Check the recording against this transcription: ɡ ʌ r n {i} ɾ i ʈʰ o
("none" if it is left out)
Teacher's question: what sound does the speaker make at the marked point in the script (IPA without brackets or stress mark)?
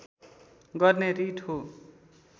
e